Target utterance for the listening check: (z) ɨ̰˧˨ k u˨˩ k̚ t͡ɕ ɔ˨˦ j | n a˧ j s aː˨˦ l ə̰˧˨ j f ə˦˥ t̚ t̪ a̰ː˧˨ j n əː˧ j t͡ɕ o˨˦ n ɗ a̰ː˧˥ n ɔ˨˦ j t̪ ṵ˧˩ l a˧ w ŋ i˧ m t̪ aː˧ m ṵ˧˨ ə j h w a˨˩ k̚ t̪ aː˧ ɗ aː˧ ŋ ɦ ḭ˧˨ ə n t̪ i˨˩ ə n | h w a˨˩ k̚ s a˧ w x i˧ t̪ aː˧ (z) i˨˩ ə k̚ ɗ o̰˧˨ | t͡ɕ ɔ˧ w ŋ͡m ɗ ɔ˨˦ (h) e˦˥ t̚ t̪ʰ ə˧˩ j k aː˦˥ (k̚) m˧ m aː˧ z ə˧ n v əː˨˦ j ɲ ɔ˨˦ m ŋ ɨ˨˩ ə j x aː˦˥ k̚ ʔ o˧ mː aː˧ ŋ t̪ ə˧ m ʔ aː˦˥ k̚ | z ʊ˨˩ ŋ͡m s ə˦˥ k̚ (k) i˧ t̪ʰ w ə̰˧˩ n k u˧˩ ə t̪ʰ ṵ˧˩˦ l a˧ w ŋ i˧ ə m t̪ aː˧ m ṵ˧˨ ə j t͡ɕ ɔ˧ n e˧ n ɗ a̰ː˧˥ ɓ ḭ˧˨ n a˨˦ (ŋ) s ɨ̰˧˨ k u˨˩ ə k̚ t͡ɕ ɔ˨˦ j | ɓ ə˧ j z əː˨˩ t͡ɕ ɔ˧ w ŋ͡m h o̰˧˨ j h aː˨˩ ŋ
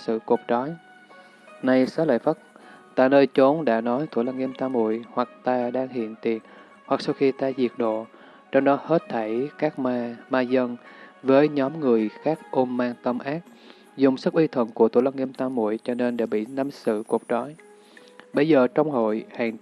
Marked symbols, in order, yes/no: no, yes, yes, yes, no, no

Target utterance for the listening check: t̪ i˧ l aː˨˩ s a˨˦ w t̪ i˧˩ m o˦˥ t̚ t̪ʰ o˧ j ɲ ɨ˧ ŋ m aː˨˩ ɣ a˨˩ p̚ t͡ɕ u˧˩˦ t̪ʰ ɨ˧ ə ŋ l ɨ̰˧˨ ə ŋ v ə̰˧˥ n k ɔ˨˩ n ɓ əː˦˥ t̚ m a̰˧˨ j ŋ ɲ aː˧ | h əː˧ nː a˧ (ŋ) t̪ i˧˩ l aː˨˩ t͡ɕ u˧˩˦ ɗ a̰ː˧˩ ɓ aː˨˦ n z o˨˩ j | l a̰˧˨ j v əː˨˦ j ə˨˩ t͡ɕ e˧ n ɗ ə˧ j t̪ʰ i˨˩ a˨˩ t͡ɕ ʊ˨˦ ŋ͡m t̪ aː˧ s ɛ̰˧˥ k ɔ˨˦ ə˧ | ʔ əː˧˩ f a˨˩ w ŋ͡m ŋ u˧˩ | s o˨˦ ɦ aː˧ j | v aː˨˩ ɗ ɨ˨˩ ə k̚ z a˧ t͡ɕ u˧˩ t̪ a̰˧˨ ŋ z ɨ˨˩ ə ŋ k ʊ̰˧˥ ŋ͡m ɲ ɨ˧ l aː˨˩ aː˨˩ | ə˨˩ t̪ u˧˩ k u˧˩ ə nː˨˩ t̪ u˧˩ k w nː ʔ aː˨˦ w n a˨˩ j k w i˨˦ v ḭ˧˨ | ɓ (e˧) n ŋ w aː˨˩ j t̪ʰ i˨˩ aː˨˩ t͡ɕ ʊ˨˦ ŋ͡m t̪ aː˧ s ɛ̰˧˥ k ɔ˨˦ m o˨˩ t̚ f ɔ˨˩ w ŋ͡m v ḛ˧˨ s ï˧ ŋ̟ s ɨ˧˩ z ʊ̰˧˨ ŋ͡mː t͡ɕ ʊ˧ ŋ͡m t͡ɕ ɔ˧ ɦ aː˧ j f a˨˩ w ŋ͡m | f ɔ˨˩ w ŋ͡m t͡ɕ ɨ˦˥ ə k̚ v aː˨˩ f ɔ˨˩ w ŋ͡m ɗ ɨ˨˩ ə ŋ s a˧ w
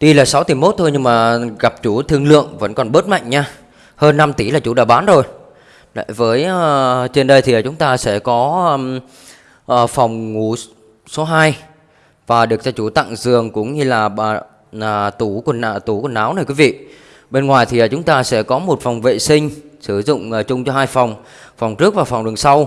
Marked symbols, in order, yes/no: no, yes

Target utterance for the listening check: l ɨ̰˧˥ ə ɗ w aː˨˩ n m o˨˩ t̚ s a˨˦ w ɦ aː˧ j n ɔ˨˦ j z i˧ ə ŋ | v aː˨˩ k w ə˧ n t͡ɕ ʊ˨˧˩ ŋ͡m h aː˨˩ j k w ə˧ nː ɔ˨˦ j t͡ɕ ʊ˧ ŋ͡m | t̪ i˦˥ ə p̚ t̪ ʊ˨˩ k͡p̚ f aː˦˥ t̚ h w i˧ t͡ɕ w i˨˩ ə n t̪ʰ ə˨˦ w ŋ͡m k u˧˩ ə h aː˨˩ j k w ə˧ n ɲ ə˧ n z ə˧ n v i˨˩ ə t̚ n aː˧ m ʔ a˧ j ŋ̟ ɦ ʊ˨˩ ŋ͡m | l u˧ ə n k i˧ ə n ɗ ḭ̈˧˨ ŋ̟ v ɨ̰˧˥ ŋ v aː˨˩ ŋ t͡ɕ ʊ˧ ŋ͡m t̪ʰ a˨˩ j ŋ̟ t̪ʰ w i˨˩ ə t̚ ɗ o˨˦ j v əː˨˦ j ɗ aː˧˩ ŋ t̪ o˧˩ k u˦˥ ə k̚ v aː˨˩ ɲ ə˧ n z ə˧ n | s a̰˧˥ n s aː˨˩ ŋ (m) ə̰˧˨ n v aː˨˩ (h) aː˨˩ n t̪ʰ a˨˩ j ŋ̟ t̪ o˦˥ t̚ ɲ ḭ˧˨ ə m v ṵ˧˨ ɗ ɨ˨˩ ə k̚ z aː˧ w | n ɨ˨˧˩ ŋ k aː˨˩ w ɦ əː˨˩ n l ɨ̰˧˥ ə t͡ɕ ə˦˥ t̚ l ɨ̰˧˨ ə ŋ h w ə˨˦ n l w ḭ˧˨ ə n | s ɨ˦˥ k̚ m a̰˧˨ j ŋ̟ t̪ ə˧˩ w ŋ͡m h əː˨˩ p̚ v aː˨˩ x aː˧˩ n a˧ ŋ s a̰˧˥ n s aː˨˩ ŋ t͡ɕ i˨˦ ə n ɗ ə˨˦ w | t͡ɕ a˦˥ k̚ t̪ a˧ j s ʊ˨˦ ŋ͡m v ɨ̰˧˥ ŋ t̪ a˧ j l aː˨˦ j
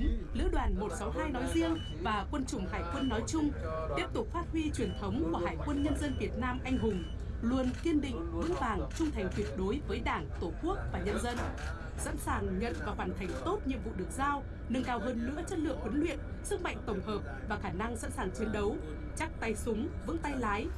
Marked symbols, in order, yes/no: no, no

